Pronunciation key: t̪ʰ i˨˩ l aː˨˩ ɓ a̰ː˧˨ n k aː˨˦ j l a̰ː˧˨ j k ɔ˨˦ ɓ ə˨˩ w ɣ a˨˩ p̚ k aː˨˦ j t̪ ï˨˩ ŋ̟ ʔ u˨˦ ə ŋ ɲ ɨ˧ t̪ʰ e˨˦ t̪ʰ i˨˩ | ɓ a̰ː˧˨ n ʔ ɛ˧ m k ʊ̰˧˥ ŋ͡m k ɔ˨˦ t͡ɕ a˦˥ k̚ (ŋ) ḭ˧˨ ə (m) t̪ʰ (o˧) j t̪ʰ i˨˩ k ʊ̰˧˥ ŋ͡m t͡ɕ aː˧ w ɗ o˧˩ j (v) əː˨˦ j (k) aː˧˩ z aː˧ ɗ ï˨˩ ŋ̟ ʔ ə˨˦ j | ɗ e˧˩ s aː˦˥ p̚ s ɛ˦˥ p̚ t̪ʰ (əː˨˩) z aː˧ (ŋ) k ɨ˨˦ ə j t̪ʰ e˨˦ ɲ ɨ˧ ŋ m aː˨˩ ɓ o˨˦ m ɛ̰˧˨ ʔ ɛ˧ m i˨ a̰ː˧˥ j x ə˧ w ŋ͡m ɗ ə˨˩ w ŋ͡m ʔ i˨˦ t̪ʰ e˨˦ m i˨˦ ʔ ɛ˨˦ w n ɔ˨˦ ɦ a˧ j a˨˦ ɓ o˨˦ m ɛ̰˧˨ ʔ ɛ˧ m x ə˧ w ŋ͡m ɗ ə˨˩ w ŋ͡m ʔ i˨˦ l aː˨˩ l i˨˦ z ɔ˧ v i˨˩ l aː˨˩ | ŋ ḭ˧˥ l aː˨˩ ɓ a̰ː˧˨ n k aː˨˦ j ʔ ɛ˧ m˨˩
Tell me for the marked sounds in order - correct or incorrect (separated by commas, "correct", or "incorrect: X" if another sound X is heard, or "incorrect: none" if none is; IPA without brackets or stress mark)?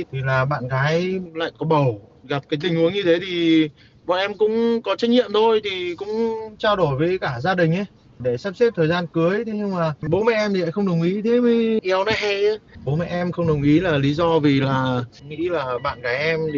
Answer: incorrect: ɲ, correct, correct, correct, correct, correct, incorrect: n